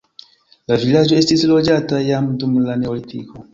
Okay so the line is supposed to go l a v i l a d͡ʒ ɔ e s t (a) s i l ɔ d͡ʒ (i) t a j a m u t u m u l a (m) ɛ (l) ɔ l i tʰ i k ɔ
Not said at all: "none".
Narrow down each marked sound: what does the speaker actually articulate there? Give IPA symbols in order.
i, a, n, none

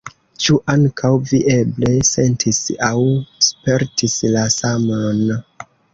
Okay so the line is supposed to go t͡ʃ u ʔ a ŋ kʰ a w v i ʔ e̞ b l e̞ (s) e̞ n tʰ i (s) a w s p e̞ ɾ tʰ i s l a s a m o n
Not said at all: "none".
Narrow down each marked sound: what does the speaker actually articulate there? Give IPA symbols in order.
s, s

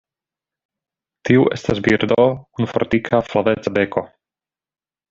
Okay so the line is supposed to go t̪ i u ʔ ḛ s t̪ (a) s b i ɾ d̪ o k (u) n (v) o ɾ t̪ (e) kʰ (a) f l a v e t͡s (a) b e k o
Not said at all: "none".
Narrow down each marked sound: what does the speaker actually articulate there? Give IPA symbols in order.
a, u, f, i, a, a

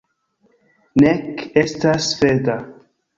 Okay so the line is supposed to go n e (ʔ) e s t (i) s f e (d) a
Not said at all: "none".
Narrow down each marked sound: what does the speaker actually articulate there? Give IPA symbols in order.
k, a, d

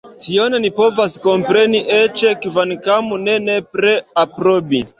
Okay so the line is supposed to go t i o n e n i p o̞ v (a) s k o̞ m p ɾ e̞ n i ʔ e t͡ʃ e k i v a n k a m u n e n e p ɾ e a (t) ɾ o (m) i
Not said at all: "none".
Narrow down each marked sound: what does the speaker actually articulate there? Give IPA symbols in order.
a, p, b

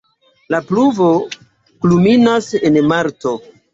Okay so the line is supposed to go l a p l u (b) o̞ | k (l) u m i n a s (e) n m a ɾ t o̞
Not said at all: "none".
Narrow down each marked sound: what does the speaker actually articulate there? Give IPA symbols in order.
v, l, e

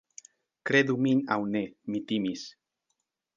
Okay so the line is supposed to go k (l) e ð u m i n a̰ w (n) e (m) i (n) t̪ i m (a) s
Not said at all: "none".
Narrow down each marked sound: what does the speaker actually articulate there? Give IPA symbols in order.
ɾ, n, m, none, i

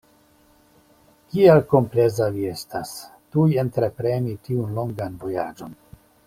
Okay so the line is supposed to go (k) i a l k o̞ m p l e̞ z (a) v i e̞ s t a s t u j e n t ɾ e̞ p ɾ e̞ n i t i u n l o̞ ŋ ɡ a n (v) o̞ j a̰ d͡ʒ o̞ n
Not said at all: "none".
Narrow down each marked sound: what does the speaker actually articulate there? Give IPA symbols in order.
k, a, v

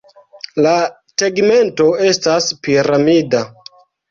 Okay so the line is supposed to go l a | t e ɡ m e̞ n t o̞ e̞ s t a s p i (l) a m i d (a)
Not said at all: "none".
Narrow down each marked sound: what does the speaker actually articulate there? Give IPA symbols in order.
ɾ, a

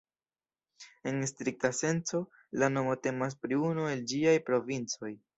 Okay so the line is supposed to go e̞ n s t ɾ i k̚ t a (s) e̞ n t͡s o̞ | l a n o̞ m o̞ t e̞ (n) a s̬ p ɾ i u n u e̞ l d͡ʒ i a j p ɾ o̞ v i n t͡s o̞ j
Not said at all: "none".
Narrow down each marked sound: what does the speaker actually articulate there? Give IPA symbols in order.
s, m

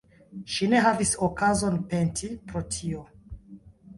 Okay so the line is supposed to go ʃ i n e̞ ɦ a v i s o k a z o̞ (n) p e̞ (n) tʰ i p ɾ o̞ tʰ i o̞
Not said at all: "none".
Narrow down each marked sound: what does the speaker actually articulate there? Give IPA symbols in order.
n, n

